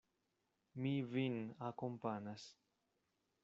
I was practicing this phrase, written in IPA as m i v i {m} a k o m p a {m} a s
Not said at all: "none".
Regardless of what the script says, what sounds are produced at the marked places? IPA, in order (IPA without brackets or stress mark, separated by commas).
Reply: n, n